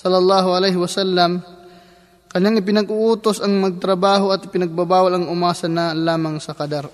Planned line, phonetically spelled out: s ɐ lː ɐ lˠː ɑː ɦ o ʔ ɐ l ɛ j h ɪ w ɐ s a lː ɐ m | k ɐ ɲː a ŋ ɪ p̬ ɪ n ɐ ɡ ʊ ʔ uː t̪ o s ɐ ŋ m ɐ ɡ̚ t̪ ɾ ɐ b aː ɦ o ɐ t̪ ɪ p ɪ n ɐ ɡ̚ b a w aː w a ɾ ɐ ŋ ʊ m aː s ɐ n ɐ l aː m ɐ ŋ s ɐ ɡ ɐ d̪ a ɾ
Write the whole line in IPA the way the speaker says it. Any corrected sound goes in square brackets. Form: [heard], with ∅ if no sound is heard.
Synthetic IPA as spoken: s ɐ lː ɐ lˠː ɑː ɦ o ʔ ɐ l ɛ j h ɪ w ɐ s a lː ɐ m | k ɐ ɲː a ŋ ɪ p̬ ɪ n ɐ ɡ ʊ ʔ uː t̪ o s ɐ ŋ m ɐ ɡ̚ t̪ ɾ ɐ b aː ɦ o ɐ t̪ ɪ p ɪ n ɐ ɡ̚ b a [b] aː w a [l] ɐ ŋ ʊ m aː s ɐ n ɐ l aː m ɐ ŋ s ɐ [k] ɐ d̪ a ɾ